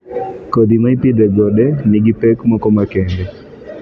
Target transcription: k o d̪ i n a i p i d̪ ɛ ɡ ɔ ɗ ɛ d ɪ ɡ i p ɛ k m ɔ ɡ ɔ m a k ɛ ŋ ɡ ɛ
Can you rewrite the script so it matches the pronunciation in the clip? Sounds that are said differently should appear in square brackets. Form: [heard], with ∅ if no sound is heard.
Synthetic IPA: k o d̪ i [m] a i p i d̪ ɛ ɡ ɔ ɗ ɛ [n] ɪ ɡ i p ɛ k m ɔ [k] ɔ m a k ɛ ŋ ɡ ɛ

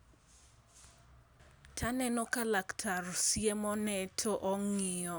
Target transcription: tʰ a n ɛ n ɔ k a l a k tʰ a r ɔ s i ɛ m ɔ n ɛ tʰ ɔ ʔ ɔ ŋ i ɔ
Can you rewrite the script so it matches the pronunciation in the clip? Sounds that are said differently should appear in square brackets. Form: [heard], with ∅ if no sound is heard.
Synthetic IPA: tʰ a n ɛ n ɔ k a l a k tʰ a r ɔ s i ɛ m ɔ n ɛ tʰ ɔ ʔ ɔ ŋ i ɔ

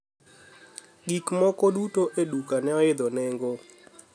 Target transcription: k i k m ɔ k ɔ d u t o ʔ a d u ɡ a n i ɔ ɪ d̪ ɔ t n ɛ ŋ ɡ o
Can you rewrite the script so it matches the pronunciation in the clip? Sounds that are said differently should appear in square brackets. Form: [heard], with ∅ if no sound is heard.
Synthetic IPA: [ɡ] i k m ɔ k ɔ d u t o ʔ [e] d u [k] a n [ɛ] ɔ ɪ d̪ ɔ [∅] n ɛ ŋ ɡ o

